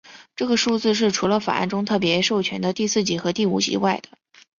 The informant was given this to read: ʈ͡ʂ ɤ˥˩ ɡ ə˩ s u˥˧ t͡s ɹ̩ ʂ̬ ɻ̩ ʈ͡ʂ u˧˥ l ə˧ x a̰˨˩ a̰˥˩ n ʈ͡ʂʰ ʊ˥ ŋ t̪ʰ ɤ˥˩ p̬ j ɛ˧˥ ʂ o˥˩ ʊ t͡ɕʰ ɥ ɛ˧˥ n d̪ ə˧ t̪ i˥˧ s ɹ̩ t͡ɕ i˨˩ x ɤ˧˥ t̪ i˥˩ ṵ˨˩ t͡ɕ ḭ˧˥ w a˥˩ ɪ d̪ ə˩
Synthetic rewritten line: ʈ͡ʂ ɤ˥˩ ɡ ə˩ ʂ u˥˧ t͡s ɹ̩ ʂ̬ ɻ̩ ʈ͡ʂʰ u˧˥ l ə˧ f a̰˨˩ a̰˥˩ n ʈ͡ʂ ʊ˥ ŋ t̪ʰ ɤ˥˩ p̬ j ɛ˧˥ ʂ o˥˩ ʊ t͡ɕʰ ɥ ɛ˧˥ n d̪ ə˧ t̪ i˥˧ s ɹ̩ t͡ɕ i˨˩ x ɤ˧˥ t̪ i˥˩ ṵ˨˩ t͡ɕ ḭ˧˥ w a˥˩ ɪ d̪ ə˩